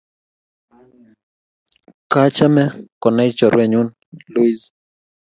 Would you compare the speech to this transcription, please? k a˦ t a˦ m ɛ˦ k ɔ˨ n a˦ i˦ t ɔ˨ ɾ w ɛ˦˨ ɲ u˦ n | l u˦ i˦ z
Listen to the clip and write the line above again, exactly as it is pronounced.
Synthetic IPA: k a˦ t͡ʃ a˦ m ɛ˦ k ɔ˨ n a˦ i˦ t͡ʃ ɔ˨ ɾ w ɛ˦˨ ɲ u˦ n | l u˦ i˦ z